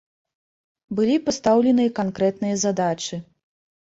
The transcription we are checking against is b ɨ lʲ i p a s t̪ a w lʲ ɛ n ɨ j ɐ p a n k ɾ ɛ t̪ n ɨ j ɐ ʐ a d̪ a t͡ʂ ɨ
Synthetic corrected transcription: b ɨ lʲ i p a s t̪ a w lʲ ɛ n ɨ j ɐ k a n k ɾ ɛ t̪ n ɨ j ɐ z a d̪ a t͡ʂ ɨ

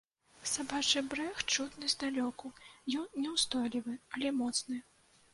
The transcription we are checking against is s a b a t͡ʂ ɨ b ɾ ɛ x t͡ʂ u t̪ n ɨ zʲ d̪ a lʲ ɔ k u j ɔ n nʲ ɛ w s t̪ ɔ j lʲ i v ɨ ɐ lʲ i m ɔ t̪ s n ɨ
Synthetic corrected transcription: s a b a t͡ʂ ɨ b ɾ ɛ x t͡ʂ u t̪ n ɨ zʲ d̪ a lʲ ɔ k u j ɔ n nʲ ɛ w s t̪ ɔ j lʲ i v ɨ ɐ lʲ ɛ m ɔ t̪ s n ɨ

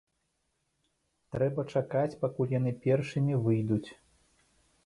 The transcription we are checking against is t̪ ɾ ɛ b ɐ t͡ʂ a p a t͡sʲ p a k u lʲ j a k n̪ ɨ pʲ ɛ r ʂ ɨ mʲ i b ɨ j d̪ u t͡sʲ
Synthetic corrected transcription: t̪ ɾ ɛ b ɐ t͡ʂ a k a t͡sʲ p a k u lʲ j a n̪ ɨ pʲ ɛ r ʂ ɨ mʲ i v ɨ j d̪ u t͡sʲ

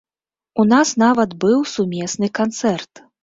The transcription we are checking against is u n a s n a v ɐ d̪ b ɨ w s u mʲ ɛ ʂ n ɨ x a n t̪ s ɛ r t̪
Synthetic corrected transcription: u n a s n a v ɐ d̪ b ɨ w s u mʲ ɛ s n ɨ k a n t̪ s ɛ r t̪

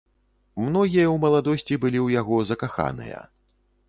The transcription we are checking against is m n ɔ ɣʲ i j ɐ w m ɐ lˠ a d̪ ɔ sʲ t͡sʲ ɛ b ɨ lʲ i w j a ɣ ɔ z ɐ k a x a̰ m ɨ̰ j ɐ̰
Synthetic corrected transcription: m n ɔ ɣʲ i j ɐ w m ɐ lˠ a d̪ ɔ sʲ t͡sʲ i b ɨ lʲ i w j a ɣ ɔ z ɐ k a x a̰ n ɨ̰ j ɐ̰

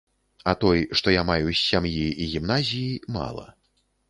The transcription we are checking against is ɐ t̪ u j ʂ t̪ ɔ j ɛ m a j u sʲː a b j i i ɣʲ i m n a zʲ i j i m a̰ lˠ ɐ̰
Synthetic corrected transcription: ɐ t̪ ɔ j ʂ t̪ ɔ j a m a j u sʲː a m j i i ɣʲ i m n a zʲ i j i m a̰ lˠ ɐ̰

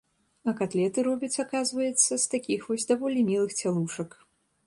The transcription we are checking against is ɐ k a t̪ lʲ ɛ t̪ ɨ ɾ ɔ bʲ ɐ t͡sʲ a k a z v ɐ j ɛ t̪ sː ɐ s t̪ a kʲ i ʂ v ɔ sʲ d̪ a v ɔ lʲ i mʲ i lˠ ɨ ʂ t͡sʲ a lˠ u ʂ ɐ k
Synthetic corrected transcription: ɐ k a t̪ lʲ ɛ t̪ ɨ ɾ ɔ bʲ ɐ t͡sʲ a k a z v ɐ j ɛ t̪ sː ɐ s t̪ a kʲ i x v ɔ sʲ d̪ a v ɔ lʲ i mʲ i lˠ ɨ x t͡sʲ a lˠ u ʂ ɐ k

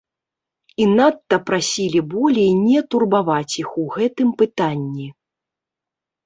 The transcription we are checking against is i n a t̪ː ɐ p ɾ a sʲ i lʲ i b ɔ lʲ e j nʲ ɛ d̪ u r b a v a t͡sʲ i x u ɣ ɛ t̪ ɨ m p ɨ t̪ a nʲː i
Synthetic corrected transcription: i n a t̪ː ɐ p ɾ a sʲ i lʲ i b ɔ lʲ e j nʲ ɛ t̪ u r b a v a t͡sʲ i x u ɣ ɛ t̪ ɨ m p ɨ t̪ a nʲː i

